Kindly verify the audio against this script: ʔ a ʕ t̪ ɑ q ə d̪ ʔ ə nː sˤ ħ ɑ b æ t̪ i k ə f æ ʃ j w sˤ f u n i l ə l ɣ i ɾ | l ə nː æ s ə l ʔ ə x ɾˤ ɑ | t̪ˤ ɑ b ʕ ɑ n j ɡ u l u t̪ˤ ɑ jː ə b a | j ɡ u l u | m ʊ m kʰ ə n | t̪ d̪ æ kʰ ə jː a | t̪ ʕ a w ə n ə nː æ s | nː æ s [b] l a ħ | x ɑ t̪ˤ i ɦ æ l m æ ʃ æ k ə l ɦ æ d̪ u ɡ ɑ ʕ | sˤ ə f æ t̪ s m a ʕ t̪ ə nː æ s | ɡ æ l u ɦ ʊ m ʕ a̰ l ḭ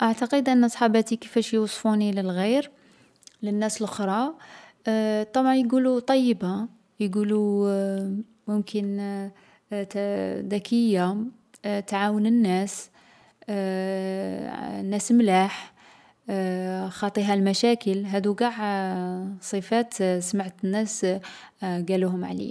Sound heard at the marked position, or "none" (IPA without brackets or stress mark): m